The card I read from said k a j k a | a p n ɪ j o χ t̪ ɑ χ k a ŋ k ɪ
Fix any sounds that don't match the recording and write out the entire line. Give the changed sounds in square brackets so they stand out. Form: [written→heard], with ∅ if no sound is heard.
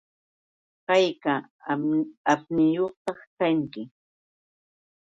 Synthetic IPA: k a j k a | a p n ɪ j o χ t̪ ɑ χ k a ŋ k ɪ